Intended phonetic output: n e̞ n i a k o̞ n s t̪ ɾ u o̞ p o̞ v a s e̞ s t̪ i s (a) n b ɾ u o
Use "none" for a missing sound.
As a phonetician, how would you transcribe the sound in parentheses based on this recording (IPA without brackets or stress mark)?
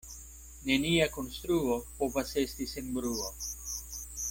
e